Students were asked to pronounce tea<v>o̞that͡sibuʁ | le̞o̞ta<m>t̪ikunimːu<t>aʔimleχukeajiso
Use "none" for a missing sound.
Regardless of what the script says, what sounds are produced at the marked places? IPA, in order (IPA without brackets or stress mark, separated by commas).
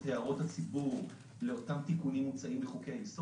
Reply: ʁ, m, t͡s